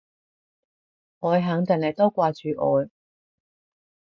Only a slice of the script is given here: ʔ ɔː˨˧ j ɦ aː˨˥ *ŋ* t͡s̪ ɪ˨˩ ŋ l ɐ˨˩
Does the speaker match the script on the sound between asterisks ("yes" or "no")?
yes